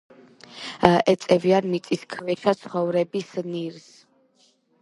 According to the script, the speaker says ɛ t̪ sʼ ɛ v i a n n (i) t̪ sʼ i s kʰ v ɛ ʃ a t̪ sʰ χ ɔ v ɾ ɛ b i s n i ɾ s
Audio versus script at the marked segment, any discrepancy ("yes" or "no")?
no